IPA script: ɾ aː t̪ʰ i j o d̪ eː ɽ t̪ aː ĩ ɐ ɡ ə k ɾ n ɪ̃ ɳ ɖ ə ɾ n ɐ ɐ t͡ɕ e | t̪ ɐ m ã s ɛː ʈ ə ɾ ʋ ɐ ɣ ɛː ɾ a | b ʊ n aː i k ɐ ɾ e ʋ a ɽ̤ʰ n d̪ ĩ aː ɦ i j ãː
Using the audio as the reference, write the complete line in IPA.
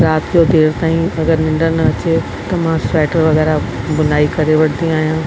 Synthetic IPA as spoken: ɾ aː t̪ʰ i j o d̪ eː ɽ t̪ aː ĩ ɐ ɡ ə ɾ n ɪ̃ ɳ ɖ ə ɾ n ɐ ɐ t͡ɕ e | t̪ ɐ m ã s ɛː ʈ ə ɾ ʋ ɐ ɣ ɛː ɾ a | b ʊ n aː i k ɐ ɾ e ʋ ɐ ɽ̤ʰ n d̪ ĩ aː ɦ i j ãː